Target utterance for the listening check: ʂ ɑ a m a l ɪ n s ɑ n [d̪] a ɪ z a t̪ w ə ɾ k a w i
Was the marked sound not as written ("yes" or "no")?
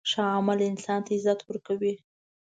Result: yes